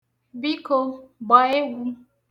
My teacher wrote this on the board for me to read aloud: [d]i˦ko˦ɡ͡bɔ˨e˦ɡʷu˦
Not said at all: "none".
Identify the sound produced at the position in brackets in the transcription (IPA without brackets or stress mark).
b